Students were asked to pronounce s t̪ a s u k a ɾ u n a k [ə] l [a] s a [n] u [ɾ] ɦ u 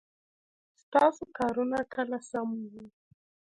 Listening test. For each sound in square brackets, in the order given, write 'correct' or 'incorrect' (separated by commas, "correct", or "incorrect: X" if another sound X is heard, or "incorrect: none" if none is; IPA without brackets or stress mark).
incorrect: a, correct, incorrect: m, incorrect: none